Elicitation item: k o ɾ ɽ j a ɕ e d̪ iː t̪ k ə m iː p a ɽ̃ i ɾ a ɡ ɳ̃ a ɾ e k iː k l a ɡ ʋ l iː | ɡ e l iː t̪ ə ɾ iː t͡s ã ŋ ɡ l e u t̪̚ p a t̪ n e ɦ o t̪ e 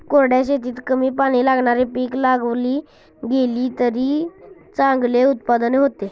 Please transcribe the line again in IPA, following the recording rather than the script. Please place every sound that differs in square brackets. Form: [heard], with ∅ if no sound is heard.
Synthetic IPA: k o ɾ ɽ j a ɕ e [t̪] iː t̪ k ə m iː p a ɽ̃ i [l] a ɡ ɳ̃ a ɾ e [p] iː k l a ɡ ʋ l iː | ɡ e l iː t̪ ə ɾ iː t͡s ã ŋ ɡ l e u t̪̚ p a [d̪] n e ɦ o t̪ e